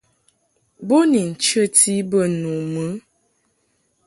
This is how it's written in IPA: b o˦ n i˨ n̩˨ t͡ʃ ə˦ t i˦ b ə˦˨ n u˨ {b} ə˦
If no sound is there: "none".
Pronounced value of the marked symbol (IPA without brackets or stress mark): m